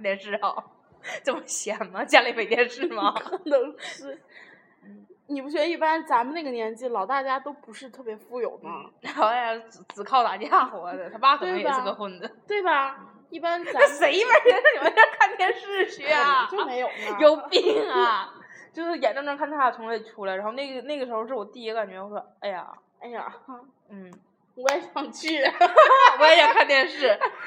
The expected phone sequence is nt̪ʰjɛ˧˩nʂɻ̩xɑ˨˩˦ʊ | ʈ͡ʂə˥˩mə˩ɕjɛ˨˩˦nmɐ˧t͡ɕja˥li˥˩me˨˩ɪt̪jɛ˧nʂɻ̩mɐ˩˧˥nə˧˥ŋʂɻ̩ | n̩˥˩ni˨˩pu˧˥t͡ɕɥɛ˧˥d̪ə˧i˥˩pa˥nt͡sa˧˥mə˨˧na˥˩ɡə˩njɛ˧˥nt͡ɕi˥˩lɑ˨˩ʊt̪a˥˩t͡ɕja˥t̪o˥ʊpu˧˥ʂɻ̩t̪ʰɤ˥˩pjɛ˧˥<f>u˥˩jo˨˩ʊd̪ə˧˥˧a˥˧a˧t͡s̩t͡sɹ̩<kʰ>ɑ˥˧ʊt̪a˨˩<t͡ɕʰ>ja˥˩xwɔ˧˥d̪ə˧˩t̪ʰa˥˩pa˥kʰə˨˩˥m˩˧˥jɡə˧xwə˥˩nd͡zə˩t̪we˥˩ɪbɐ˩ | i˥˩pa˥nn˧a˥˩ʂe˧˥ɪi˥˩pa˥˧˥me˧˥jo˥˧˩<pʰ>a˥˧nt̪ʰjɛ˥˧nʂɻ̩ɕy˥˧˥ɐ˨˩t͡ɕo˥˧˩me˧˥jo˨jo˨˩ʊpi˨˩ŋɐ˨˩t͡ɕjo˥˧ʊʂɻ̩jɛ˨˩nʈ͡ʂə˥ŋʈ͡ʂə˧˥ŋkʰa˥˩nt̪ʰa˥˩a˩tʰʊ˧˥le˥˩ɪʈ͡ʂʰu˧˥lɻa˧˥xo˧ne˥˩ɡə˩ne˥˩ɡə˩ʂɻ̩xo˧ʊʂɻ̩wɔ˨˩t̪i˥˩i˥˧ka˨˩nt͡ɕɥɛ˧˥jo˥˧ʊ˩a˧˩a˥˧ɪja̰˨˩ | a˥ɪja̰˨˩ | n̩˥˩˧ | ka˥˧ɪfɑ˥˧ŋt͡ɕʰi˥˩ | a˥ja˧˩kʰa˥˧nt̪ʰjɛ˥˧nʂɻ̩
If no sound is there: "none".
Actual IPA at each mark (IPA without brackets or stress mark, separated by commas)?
f, kʰ, t͡ɕ, kʰ